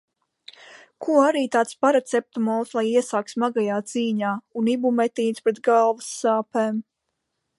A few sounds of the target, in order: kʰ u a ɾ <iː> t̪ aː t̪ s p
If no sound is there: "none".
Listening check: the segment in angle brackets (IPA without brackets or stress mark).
iː